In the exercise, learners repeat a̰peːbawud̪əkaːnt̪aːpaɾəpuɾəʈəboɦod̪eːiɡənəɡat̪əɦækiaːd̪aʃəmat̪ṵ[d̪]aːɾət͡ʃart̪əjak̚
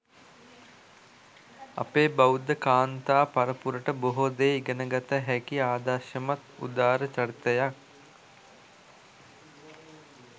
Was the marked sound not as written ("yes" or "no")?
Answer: no